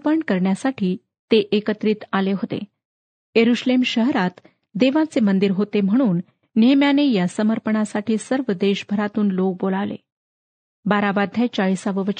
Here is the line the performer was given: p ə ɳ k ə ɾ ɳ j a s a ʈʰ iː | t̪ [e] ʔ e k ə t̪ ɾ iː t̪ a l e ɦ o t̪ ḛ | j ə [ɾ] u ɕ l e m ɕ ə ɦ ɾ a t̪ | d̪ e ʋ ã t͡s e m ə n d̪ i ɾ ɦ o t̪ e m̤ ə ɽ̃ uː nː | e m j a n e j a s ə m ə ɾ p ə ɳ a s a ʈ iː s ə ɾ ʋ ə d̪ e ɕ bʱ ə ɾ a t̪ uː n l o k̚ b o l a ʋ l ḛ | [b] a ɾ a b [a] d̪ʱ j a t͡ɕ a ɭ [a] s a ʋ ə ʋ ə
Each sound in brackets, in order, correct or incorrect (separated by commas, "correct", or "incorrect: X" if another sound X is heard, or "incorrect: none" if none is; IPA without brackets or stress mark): correct, correct, correct, correct, incorrect: i